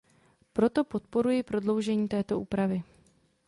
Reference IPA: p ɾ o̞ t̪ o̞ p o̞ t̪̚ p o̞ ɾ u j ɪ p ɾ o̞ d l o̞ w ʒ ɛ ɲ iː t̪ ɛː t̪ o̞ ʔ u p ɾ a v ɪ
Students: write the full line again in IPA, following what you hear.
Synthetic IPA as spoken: p ɾ o̞ t̪ o̞ p o̞ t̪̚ p o̞ ɾ u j ɪ p ɾ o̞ d l o̞ w ʒ ɛ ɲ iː t̪ ɛː t̪ o̞ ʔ uː p ɾ a v ɪ